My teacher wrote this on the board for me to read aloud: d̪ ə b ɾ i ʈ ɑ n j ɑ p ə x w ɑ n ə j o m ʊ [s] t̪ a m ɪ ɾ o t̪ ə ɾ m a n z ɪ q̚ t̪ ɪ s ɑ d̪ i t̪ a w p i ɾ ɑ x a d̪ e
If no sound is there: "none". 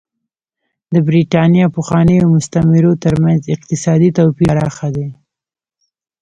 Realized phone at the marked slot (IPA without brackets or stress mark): s